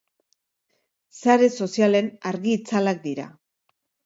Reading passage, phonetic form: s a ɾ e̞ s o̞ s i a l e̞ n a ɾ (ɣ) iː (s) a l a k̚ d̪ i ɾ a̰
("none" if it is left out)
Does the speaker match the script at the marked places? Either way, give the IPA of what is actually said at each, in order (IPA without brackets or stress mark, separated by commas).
ɣ, t͡s